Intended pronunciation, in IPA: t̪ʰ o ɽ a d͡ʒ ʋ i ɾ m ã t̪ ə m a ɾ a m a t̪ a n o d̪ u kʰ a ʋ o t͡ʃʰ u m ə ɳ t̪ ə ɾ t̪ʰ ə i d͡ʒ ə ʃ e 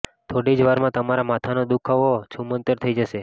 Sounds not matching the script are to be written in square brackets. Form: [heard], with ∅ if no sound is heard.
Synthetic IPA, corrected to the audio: t̪ʰ o ɽ [i] d͡ʒ ʋ [a] ɾ m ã t̪ ə m a ɾ a m a [t̪ʰ] a n o d̪ u kʰ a ʋ o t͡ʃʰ u m ə [n] t̪ ə ɾ t̪ʰ ə i d͡ʒ ə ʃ e